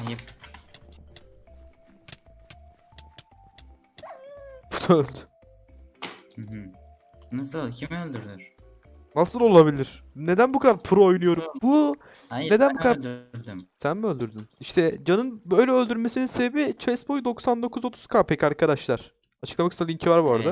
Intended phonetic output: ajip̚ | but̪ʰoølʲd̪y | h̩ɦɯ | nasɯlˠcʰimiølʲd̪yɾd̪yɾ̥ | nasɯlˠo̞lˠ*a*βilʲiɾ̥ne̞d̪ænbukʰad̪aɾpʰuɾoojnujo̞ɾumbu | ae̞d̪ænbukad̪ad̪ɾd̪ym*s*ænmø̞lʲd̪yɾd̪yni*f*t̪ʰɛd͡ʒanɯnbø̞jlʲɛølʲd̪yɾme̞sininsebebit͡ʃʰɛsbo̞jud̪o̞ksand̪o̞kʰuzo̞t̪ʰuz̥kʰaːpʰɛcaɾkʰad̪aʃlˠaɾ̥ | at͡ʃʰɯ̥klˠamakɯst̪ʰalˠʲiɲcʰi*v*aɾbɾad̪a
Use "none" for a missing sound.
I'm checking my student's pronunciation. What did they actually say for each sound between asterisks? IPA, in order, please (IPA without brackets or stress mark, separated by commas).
a, s, ʃ, v